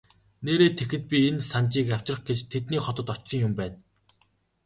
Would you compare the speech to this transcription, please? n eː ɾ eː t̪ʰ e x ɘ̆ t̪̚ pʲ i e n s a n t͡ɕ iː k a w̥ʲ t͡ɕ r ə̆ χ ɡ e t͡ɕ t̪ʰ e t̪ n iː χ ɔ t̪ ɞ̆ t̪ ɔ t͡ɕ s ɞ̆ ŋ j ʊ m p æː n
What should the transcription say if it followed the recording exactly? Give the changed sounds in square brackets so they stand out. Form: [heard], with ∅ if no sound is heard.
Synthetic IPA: n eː ɾ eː t̪ʰ e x ɘ̆ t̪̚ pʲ i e n s a n t͡ɕ iː k a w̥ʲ t͡ɕ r ə̆ χ ɡ e t͡ɕ t̪ʰ e t̪ n iː χ ɔ t̪ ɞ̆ t̪ ɔ t͡ɕ s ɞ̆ ŋ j ʊ m p æː n